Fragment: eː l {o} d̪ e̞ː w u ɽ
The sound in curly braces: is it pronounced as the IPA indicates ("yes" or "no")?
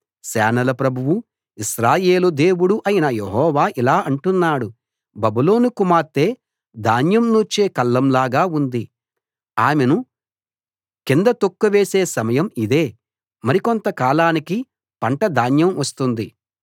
no